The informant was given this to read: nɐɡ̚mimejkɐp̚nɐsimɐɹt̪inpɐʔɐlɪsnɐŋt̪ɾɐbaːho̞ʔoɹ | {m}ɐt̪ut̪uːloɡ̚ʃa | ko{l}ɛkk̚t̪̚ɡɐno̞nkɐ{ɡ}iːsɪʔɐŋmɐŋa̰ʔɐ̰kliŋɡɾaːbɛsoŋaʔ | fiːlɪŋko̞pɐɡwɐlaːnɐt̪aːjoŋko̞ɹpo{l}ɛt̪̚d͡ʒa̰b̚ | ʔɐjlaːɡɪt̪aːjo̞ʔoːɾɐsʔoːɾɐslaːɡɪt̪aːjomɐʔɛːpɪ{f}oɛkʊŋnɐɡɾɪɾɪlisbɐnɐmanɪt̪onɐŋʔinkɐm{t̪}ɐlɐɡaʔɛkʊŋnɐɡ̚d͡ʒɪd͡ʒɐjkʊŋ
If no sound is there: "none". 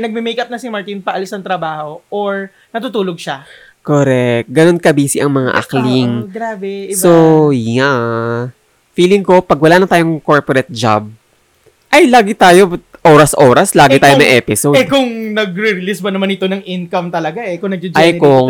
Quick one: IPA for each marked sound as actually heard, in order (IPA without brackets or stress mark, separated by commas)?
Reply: n, ɾ, b, ɾ, s, t̪